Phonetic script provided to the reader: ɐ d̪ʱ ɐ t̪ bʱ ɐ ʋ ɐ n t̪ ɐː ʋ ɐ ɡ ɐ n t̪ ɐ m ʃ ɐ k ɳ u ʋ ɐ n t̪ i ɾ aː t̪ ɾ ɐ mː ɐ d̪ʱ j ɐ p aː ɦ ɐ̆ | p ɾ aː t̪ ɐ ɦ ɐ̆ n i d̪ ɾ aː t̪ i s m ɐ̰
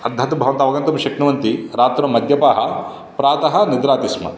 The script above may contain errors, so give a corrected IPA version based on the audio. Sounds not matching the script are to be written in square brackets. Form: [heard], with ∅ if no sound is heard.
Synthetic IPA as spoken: ɐ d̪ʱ ɐ t̪ bʱ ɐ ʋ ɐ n t̪ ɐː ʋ ɐ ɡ ɐ n t̪ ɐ m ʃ ɐ k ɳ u ʋ ɐ n t̪ i ɾ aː t̪ ɾ ɐ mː ɐ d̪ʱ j ɐ p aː ɦ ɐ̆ | p ɾ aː t̪ ɐ ɦ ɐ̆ n i d̪ ɾ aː t̪ i s m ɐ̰